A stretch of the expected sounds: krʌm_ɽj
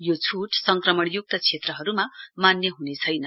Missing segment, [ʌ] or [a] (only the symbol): ʌ